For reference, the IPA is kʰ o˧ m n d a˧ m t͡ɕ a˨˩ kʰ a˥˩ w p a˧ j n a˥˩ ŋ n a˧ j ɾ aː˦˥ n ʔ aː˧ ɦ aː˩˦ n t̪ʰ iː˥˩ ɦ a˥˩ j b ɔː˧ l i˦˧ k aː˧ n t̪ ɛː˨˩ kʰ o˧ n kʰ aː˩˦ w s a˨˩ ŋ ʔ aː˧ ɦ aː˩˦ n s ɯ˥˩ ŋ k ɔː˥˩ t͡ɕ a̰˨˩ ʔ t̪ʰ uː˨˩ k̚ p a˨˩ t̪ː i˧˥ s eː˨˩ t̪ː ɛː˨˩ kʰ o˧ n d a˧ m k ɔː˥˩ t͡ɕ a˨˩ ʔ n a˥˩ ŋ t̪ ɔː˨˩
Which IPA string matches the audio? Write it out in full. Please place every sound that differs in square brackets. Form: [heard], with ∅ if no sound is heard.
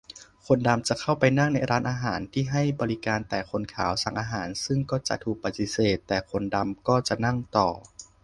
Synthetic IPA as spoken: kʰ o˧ [∅] n d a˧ m t͡ɕ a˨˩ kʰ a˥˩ w p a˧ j n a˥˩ ŋ n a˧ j ɾ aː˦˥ n ʔ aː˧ ɦ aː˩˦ n t̪ʰ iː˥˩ ɦ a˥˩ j b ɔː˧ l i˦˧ k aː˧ n t̪ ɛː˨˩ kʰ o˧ n kʰ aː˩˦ w s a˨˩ ŋ ʔ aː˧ ɦ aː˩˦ n s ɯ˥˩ ŋ k ɔː˥˩ t͡ɕ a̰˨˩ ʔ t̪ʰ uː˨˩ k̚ p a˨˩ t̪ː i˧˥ s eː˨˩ t̪ː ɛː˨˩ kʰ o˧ n d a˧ m k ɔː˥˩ t͡ɕ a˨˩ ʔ n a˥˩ ŋ t̪ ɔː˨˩